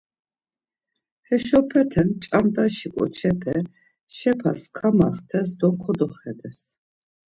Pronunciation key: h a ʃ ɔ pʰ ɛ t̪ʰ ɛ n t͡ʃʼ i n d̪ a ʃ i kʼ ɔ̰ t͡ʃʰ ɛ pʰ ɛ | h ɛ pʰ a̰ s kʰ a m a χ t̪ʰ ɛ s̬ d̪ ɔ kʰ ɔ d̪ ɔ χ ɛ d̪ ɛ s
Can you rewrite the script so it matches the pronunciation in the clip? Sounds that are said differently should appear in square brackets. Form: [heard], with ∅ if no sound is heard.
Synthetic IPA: h [ɛ] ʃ ɔ pʰ ɛ t̪ʰ ɛ n t͡ʃʼ [a] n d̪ a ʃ i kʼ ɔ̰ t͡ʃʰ ɛ pʰ ɛ | [ʃ] ɛ pʰ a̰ s kʰ a m a χ t̪ʰ ɛ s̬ d̪ ɔ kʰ ɔ d̪ ɔ χ ɛ d̪ ɛ s